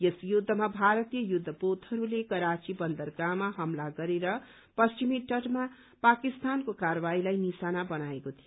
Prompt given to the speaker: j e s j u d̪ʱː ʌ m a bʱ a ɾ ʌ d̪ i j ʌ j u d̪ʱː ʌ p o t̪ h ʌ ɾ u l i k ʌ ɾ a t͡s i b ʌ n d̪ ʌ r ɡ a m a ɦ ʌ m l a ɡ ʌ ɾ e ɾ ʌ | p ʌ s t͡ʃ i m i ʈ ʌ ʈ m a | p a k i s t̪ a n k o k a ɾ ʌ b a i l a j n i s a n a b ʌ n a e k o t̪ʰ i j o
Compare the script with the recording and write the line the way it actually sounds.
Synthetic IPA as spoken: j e s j u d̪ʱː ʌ m a bʱ a ɾ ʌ t̪ i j ʌ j u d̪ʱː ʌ p o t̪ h ʌ ɾ u l e k ʌ ɾ a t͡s i b ʌ n d̪ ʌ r ɡ a m a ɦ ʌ m l a ɡ ʌ ɾ e ɾ ʌ | p ʌ s t͡ʃ i m i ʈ ʌ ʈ m a | p a k i s t̪ a n k o k a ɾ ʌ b a i l a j n i s a n a b ʌ n a e k o t̪ʰ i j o